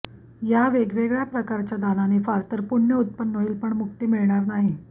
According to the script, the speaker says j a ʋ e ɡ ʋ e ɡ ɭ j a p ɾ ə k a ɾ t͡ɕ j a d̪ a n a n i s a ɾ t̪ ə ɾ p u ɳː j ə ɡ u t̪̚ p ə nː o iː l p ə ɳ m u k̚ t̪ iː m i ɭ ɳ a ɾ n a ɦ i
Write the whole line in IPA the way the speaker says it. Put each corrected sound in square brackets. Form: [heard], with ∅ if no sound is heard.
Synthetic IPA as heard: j a ʋ e ɡ ʋ e ɡ ɭ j a p ɾ ə k a ɾ t͡ɕ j a d̪ a n a n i [f] a ɾ t̪ ə ɾ p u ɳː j ə [∅] u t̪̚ p ə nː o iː l p ə ɳ m u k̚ t̪ iː m i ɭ ɳ a ɾ n a ɦ i